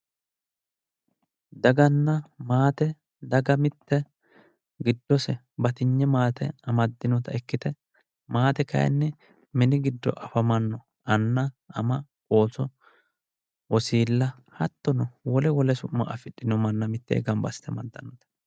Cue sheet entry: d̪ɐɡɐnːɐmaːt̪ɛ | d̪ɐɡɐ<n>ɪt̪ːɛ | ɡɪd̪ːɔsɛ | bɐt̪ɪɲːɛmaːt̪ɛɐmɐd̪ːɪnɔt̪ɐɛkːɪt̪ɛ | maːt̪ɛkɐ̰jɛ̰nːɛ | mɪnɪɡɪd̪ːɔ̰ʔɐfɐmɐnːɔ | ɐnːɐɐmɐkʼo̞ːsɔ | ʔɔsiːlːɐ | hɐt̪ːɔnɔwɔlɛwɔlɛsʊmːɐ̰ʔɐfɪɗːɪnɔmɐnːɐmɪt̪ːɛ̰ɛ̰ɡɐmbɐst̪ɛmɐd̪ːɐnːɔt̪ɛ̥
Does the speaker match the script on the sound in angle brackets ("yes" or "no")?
no